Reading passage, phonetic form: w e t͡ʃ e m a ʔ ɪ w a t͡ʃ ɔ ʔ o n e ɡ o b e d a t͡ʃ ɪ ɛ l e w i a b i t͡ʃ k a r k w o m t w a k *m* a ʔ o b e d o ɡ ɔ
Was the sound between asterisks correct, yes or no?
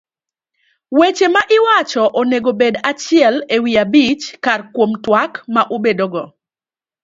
yes